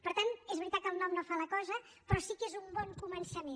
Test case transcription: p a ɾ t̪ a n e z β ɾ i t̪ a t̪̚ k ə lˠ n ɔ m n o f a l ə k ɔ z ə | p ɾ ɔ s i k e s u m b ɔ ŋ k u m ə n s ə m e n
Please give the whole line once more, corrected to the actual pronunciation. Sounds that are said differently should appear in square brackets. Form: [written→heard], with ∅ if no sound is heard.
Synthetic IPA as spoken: p [a→ə] ɾ t̪ a n e z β ɾ i t̪ a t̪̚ k ə lˠ n ɔ m n o f a l ə k ɔ z ə | p ɾ ɔ s i k e [s→z] u m b ɔ ŋ k u m ə n s ə m e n

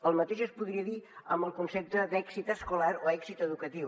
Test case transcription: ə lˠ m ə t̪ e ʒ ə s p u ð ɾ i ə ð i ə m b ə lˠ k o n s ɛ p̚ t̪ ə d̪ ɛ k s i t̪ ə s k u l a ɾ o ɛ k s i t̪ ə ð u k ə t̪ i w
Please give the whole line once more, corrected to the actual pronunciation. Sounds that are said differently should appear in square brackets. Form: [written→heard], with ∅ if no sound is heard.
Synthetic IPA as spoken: ə lˠ m ə t̪ e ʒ ə s p u ð ɾ i ə ð i ə m b ə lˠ k [o→u] n s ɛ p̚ t̪ ə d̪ ɛ k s i t̪ ə s k u l a ɾ o ɛ k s i t̪ ə ð u k ə t̪ i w

